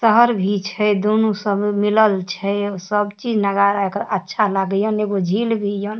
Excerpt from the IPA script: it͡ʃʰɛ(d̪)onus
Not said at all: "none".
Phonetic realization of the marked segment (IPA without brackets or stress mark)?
d̪